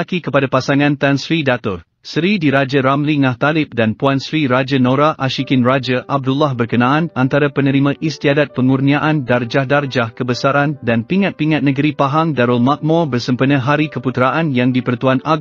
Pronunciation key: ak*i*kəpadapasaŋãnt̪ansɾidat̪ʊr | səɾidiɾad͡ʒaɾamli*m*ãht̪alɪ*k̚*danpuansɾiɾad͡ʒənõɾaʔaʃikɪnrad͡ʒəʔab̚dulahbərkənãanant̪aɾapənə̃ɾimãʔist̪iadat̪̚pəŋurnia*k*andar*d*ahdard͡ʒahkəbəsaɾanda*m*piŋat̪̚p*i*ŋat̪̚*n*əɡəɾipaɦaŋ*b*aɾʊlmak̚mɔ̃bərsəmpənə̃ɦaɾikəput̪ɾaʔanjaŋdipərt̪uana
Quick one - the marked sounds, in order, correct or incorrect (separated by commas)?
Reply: correct, incorrect, incorrect, incorrect, incorrect, incorrect, correct, correct, incorrect